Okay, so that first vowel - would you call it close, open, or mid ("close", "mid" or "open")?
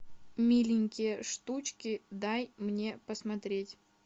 close